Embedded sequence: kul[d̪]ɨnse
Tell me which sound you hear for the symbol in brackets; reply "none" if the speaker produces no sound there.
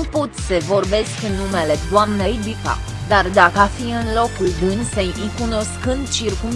d̪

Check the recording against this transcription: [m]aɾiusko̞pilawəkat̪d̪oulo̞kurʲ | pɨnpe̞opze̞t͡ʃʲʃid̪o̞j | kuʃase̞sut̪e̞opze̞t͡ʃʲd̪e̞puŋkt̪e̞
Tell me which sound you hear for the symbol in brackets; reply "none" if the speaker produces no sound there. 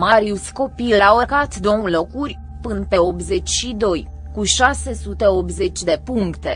m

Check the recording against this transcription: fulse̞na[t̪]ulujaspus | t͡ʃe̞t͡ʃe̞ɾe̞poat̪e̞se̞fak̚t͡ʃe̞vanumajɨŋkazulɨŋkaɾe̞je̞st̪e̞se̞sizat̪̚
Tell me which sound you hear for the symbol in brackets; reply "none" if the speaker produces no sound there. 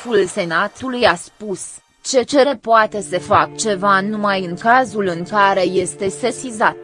t̪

